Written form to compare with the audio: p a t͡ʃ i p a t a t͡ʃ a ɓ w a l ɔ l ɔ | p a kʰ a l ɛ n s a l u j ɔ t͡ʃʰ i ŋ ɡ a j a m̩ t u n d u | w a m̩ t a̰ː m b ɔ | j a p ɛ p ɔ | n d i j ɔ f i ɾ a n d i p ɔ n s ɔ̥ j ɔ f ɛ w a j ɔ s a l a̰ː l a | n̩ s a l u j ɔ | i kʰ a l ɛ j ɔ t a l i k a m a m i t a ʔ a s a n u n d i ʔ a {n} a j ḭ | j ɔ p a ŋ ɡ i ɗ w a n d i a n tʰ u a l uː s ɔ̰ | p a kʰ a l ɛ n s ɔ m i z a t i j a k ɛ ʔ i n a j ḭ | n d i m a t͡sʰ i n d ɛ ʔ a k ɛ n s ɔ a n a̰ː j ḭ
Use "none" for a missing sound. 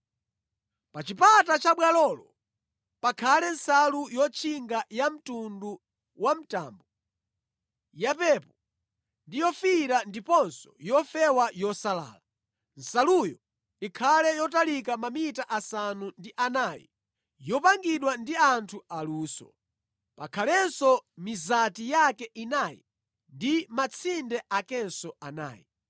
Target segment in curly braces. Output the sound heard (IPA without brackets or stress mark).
n